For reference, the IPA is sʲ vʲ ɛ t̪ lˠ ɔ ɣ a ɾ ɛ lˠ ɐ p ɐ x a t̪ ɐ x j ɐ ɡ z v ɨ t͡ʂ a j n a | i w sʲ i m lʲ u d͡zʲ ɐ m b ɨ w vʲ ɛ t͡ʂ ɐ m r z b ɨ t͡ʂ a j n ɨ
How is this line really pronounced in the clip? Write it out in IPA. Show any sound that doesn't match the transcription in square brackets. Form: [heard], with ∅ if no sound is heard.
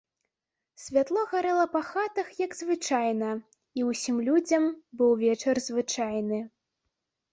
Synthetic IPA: sʲ vʲ [a] t̪ lˠ ɔ ɣ a ɾ ɛ lˠ ɐ p ɐ x a t̪ ɐ x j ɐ ɡ z v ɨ t͡ʂ a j n [ɐ] | i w sʲ i m lʲ u d͡zʲ ɐ m b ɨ w vʲ ɛ t͡ʂ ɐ [∅] r z [v] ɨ t͡ʂ a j n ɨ